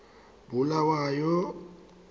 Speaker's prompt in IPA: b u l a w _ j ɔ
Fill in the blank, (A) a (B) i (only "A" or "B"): A